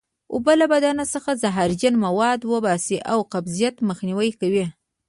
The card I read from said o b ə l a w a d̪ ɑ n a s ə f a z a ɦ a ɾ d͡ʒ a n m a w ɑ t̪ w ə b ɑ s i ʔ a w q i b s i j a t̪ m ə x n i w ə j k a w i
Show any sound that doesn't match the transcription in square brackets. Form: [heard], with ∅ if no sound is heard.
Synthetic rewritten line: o b ə l a [b] a d̪ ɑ n a s ə [x] a z a ɦ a ɾ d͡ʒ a n m a w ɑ [d̪] w ə b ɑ s i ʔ a w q [a] b [z] i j a t̪ m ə x n i w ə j k a w i